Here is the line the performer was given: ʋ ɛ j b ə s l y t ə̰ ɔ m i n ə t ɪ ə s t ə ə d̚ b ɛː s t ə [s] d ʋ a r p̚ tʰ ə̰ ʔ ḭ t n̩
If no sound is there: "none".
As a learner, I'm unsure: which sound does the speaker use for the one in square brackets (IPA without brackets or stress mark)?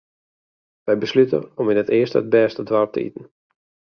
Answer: none